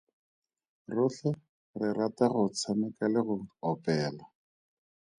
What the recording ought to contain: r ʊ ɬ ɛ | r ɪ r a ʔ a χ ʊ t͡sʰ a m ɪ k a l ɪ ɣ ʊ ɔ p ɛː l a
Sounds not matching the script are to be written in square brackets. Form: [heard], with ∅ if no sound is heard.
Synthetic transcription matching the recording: r ʊ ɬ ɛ | r ɪ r a [t] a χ ʊ t͡sʰ a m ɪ k a l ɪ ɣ ʊ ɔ p ɛː l a

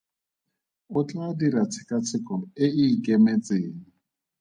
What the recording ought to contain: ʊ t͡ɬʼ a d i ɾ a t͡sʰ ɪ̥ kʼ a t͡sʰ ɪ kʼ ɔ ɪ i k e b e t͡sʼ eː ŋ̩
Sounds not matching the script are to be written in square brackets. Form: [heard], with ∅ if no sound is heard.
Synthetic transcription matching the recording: ʊ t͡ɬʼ a d i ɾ a t͡sʰ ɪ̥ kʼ a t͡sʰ ɪ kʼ ɔ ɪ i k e [m] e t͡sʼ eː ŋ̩

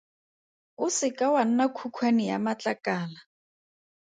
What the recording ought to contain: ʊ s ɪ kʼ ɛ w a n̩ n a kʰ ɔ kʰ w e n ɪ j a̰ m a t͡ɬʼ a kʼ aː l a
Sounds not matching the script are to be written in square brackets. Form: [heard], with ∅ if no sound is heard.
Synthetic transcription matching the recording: ʊ s ɪ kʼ [a] w a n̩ n a kʰ [u] kʰ w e n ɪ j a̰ m a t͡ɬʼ a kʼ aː l a

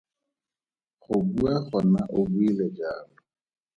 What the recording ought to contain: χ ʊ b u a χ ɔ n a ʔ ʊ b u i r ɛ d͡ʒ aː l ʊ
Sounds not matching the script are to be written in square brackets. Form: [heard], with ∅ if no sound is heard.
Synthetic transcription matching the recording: χ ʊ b u a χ ɔ n a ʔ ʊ b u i [l] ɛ d͡ʒ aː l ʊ

